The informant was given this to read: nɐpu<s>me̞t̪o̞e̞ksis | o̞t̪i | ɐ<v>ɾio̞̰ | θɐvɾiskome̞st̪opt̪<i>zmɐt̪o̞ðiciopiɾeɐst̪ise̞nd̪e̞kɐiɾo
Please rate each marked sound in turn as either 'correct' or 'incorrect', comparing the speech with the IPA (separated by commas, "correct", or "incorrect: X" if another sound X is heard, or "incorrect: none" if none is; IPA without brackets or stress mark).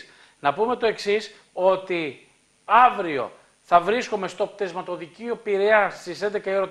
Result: incorrect: none, correct, incorrect: e